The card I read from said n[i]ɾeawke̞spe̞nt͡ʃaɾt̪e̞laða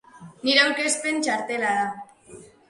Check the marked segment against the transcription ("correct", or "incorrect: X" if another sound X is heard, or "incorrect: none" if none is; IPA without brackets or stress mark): correct